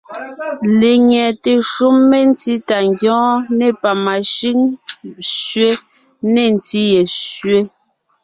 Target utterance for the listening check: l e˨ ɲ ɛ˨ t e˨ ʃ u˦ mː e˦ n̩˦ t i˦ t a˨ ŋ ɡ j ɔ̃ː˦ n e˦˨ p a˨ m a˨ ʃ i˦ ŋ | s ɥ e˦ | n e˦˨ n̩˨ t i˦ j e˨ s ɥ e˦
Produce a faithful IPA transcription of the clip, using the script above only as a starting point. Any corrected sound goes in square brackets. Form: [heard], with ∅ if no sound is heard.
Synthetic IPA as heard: l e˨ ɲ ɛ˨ t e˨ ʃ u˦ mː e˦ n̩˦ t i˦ t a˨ ŋ ɡ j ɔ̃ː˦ n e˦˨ p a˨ m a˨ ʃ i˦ ŋ | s ɥ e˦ | n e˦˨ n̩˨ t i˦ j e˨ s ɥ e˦